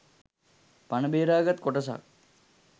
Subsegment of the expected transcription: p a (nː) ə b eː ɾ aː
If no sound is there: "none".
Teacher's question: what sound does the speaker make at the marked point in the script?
n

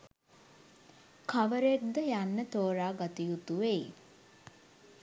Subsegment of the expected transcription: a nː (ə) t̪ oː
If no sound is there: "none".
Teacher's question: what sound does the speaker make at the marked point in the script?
ə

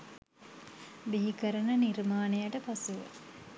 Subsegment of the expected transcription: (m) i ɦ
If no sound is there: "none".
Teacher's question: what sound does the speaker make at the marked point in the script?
b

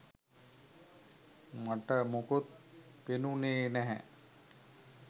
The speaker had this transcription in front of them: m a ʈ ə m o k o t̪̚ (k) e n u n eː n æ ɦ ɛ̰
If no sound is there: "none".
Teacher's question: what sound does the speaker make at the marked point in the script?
p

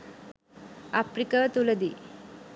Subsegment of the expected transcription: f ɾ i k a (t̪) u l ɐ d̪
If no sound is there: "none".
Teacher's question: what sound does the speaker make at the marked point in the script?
t̪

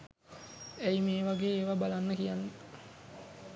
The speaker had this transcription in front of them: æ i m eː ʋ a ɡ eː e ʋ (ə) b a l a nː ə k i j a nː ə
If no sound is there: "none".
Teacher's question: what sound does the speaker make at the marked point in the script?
a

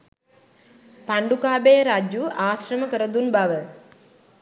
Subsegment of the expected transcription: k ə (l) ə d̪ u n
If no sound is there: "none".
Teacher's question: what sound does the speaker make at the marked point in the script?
ɾ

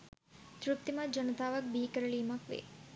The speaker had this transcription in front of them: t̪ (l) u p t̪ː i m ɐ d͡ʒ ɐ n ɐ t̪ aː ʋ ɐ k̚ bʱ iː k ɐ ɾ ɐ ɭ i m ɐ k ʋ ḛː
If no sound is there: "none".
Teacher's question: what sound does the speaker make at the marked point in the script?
ɾ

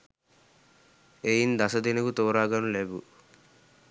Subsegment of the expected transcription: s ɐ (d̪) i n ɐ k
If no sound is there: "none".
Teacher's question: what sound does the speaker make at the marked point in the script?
d̪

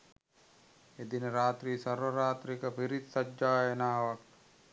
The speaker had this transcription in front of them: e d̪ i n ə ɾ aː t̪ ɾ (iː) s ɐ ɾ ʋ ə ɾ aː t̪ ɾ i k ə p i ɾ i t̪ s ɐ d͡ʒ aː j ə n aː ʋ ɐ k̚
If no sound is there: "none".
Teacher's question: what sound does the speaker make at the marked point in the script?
iː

